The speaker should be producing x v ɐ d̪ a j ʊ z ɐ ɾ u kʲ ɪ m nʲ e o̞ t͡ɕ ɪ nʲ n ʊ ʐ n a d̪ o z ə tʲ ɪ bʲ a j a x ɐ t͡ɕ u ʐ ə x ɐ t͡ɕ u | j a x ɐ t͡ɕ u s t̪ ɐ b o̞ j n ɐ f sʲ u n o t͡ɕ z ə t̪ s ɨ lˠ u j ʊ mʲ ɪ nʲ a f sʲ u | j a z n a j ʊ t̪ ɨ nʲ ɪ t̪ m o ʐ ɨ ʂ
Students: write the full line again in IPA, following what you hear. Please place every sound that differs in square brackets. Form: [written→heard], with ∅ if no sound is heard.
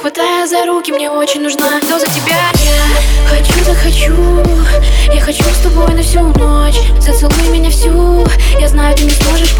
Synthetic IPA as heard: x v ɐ [d̪→t̪] a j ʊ z ɐ ɾ u kʲ ɪ m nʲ e o̞ t͡ɕ ɪ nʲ n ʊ ʐ n a d̪ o z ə tʲ ɪ bʲ a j a x ɐ t͡ɕ u [ʐ→z] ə x ɐ t͡ɕ u | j a x ɐ t͡ɕ u s t̪ ɐ b o̞ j n ɐ f sʲ u n o t͡ɕ z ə t̪ s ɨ lˠ u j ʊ mʲ ɪ nʲ a f sʲ u | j a z n a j ʊ t̪ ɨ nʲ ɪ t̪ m o ʐ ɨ ʂ